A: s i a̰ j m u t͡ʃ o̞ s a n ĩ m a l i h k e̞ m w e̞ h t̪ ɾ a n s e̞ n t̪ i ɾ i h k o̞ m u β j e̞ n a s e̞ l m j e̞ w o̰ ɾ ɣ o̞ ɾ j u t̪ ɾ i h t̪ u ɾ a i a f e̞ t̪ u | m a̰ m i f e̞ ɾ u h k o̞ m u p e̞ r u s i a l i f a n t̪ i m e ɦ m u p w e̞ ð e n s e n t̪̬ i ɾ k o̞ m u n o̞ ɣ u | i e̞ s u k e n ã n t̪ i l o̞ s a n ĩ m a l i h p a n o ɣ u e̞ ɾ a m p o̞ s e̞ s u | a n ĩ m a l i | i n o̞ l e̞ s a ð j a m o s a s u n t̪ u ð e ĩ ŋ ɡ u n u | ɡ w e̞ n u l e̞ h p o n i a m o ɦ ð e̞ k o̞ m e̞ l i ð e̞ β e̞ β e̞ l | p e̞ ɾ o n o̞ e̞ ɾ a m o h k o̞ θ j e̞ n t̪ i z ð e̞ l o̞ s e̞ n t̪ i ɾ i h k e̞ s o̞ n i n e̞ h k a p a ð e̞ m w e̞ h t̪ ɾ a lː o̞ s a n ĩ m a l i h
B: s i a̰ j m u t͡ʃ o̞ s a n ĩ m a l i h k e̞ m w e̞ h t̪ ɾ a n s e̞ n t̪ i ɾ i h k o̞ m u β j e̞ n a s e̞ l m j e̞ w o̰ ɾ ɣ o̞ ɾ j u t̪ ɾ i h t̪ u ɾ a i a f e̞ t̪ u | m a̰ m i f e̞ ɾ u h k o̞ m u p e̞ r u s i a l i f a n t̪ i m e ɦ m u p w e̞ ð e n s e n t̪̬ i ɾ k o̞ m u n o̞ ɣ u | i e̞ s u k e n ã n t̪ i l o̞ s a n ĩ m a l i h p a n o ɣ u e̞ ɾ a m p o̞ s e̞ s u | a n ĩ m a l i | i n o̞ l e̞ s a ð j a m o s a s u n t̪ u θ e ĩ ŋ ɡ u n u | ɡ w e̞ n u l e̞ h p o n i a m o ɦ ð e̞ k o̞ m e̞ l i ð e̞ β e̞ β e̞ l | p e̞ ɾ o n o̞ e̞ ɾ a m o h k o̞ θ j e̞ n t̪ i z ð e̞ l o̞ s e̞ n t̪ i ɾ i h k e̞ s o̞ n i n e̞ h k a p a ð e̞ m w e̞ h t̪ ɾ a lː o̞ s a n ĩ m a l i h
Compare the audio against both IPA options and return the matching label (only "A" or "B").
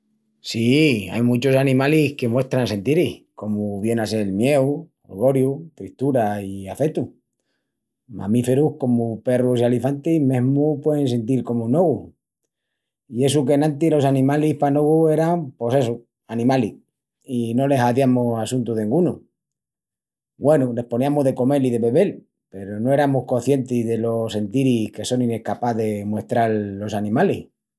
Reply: A